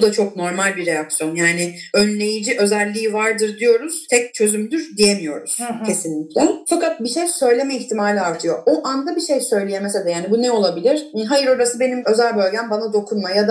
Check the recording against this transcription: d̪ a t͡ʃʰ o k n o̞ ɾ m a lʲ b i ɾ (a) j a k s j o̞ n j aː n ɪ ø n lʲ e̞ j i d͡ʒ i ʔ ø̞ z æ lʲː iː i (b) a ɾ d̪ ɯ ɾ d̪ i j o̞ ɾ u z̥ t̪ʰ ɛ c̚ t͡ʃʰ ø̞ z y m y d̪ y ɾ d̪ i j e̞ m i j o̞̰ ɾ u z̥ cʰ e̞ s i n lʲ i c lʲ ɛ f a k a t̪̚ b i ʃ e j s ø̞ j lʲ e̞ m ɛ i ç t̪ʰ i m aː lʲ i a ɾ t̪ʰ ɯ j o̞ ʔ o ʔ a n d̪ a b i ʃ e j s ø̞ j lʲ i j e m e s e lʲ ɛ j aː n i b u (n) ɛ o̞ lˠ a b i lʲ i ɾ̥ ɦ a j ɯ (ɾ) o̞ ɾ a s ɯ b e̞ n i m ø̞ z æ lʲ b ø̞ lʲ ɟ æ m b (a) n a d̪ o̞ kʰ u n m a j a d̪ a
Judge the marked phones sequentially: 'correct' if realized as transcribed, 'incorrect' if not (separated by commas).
incorrect, incorrect, correct, correct, correct